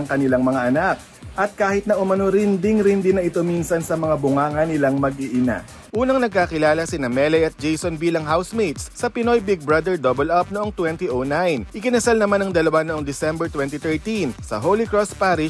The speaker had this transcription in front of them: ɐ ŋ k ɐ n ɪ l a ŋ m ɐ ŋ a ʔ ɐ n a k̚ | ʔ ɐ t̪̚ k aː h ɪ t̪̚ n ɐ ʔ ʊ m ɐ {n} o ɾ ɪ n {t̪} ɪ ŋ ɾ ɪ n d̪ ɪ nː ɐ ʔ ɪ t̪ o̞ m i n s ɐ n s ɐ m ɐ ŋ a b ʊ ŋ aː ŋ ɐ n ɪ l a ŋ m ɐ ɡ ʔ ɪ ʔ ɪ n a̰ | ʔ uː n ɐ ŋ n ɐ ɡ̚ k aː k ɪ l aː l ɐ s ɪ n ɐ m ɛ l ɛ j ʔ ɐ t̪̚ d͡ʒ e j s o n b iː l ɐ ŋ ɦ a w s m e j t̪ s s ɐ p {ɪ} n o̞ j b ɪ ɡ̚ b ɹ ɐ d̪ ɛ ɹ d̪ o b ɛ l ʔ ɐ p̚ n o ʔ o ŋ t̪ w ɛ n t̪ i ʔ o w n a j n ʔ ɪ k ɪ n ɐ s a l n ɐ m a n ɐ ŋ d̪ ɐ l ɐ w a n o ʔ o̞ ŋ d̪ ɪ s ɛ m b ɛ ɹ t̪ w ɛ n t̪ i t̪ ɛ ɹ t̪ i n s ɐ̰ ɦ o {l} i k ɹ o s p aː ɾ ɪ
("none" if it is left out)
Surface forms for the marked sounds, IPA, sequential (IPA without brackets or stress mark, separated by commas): n, d̪, ɪ, l